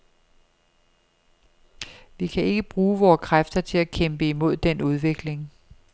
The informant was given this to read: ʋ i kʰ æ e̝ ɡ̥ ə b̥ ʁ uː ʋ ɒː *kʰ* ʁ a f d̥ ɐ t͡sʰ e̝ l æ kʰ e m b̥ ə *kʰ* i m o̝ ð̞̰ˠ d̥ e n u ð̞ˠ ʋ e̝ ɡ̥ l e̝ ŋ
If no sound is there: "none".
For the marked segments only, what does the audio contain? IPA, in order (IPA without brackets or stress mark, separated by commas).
kʰ, none